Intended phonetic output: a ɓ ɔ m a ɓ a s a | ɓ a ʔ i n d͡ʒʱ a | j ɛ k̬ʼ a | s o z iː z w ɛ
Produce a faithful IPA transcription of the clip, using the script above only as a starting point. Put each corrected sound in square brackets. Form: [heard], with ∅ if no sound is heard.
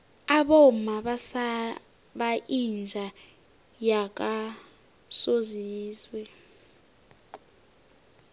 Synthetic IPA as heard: a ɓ ɔ m a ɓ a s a | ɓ a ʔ i n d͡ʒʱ a | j [a] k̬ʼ a | s o z iː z w ɛ